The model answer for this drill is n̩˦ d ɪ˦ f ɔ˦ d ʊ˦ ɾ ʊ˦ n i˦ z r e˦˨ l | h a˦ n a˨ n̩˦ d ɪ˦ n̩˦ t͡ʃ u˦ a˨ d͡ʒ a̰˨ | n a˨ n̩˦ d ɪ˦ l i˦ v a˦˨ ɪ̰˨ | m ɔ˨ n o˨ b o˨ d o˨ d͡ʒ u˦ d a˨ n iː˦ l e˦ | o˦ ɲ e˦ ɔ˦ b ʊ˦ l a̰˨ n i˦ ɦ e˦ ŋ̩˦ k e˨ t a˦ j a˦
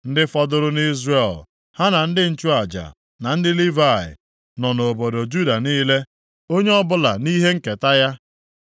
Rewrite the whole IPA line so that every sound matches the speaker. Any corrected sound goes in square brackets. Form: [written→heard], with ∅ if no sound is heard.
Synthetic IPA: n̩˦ d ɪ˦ f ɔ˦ d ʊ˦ ɾ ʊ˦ n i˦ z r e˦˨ l | h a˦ n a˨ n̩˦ d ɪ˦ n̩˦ t͡ʃ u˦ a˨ d͡ʒ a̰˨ | n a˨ n̩˦ d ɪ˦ l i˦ v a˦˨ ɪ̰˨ | [m→n] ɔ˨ n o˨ b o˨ d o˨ d͡ʒ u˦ d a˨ n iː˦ l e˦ | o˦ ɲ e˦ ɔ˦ b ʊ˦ l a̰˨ n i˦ ɦ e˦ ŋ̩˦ k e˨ t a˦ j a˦